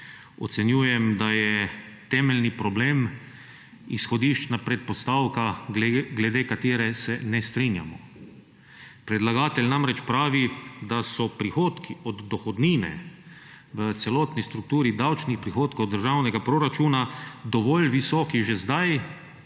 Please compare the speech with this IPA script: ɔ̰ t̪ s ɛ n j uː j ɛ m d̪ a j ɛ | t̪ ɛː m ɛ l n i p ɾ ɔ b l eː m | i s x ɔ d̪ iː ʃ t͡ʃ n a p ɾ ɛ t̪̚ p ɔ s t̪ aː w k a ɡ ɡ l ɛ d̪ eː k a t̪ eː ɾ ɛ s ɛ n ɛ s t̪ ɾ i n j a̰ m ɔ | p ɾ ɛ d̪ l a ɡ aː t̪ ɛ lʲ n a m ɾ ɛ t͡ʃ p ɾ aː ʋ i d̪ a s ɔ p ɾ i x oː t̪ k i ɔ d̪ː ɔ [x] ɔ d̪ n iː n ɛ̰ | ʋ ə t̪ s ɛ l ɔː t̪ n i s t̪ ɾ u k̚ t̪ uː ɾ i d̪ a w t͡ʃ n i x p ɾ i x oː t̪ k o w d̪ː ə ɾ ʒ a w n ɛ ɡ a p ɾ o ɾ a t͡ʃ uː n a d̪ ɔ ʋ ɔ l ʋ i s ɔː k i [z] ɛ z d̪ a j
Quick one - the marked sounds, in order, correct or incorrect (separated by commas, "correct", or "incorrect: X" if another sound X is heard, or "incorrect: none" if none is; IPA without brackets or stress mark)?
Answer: correct, incorrect: ʒ